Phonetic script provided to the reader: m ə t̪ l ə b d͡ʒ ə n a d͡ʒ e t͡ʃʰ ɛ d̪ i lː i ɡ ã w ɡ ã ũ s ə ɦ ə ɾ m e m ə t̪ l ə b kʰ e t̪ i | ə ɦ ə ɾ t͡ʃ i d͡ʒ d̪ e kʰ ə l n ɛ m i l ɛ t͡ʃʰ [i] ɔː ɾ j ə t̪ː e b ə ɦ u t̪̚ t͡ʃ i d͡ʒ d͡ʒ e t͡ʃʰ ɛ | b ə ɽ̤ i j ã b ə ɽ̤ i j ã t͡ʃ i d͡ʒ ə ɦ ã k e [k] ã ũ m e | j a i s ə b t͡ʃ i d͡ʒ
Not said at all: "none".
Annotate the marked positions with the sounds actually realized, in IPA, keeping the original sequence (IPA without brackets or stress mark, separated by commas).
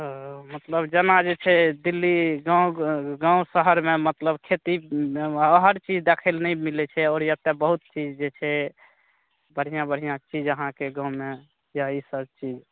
ɛ, ɡ